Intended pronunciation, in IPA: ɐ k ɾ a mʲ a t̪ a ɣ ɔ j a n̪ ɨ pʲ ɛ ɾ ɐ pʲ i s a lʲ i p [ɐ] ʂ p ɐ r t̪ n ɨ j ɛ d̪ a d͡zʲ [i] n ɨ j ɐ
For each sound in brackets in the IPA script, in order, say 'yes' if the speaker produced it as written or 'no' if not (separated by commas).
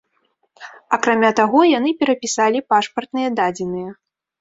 no, no